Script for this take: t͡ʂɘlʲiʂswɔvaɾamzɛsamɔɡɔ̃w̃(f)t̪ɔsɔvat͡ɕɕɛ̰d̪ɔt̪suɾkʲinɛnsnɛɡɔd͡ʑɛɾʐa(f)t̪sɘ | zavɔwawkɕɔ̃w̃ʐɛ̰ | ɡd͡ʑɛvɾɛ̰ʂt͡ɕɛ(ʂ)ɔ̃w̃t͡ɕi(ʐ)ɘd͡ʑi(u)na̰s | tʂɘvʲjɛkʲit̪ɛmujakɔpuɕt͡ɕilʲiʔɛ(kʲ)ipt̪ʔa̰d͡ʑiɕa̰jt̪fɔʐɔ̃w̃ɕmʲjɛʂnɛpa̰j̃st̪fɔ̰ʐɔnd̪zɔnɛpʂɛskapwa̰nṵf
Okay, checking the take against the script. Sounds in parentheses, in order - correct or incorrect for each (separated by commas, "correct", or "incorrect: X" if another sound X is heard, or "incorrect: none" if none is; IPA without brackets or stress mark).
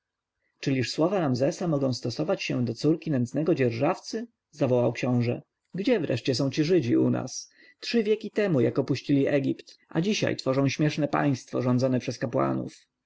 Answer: incorrect: s, correct, incorrect: s, correct, correct, incorrect: ɡʲ